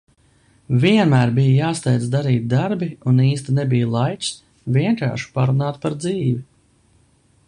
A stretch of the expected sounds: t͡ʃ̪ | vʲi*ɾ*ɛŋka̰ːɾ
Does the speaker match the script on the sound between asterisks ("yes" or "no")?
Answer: no